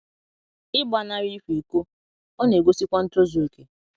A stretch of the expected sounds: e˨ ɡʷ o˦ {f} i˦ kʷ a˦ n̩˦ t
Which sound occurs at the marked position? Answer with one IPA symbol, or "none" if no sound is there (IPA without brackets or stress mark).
s